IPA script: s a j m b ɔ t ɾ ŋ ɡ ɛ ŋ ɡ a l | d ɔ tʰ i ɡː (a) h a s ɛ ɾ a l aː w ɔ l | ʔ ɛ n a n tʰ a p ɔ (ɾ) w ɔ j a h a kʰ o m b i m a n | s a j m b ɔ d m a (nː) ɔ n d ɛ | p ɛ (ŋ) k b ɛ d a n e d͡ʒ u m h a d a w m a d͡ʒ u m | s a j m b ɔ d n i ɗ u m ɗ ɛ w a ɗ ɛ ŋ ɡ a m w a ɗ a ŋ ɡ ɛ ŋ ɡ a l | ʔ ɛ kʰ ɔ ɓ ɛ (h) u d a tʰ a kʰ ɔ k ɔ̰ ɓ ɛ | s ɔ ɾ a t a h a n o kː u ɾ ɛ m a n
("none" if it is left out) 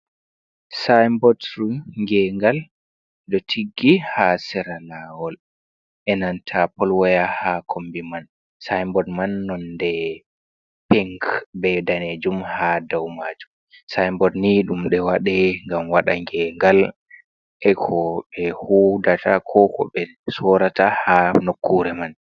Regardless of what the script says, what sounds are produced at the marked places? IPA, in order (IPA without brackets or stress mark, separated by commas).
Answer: i, l, nː, ŋ, h